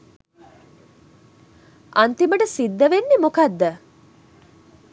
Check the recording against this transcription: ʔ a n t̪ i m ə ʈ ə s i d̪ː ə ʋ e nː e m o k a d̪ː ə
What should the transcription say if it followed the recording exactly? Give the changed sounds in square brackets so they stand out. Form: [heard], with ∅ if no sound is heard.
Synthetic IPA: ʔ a n t̪ i m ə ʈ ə s i d̪ː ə ʋ e nː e m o k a d̪ː ə